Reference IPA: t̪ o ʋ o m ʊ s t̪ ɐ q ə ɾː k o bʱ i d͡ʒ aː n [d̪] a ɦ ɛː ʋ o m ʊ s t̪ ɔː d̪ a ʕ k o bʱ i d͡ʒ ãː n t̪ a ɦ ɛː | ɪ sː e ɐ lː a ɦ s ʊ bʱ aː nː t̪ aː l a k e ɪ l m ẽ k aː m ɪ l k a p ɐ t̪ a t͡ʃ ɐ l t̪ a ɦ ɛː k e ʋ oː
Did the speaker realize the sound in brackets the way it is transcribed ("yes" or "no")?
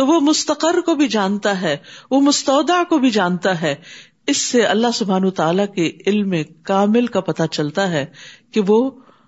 no